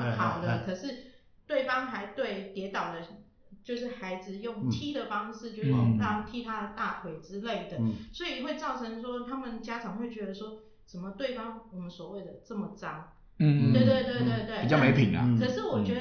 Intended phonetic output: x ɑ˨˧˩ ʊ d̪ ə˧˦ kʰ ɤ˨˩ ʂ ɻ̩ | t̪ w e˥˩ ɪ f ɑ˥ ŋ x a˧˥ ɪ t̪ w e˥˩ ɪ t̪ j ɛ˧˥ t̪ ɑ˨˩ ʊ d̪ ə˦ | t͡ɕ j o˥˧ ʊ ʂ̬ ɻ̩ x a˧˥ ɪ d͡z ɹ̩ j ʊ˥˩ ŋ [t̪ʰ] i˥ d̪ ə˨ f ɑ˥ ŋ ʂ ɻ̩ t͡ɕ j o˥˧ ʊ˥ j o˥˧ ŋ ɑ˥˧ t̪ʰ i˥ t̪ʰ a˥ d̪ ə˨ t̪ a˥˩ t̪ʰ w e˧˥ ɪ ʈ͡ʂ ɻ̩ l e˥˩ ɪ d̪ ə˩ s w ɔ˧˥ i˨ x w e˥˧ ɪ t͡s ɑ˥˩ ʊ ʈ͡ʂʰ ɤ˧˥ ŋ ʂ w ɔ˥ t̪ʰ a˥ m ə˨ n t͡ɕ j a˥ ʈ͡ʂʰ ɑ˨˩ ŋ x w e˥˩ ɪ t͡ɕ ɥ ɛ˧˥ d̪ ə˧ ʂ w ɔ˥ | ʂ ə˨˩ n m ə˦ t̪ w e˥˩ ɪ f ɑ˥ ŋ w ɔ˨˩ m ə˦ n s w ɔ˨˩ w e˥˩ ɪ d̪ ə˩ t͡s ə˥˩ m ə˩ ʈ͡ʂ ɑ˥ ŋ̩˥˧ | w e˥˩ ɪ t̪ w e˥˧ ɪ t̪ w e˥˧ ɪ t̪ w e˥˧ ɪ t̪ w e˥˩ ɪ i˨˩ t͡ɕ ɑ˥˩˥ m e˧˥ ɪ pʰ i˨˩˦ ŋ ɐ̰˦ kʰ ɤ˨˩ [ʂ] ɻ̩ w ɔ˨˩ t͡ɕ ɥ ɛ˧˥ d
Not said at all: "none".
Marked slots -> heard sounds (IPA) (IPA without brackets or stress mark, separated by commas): t̪ʰ, ʂ